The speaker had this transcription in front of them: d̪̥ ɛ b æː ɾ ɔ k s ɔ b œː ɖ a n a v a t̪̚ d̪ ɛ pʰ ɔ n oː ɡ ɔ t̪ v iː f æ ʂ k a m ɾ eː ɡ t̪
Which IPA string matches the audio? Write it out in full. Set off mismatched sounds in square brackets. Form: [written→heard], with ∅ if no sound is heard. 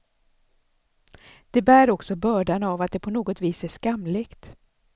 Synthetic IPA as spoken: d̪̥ ɛ b æː ɾ ɔ k s ɔ b œː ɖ a n a v a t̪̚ d̪ ɛ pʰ ɔ n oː ɡ ɔ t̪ v iː [f→s] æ ʂ k a m [ɾ→l] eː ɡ t̪